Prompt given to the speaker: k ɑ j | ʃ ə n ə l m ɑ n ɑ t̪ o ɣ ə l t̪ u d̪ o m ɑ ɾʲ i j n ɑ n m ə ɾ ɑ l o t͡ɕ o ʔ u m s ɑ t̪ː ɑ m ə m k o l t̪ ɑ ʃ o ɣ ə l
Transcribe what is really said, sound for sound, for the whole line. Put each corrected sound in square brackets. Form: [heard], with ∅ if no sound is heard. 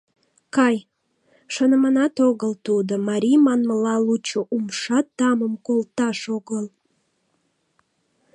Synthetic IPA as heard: k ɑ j | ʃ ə n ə [∅] m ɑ n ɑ t̪ o ɣ ə l t̪ u d̪ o m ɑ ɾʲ i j [m] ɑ n m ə [l] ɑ l [u] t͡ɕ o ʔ u m [ʃ] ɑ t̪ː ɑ m ə m k o l t̪ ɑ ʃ o ɣ ə l